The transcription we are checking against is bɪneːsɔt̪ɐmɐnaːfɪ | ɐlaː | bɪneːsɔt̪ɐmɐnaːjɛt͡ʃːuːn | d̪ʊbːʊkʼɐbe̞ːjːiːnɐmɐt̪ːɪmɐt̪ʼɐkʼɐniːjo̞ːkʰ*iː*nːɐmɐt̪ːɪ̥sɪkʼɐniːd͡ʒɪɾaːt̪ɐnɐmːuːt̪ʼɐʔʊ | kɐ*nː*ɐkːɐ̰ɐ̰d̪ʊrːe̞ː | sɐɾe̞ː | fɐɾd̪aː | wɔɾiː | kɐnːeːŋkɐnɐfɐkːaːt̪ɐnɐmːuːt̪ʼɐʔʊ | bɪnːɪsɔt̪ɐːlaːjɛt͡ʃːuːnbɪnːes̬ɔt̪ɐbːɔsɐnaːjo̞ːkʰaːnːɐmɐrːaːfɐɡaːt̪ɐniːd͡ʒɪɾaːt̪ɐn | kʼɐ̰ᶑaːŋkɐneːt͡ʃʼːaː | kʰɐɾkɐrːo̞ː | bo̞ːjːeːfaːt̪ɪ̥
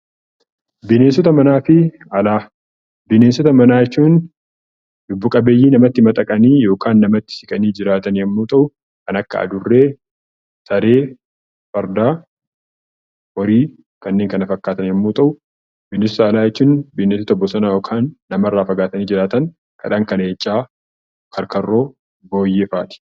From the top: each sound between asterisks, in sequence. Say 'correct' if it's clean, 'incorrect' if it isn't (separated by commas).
incorrect, incorrect